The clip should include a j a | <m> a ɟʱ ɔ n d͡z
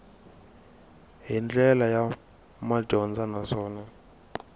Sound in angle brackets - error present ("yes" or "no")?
no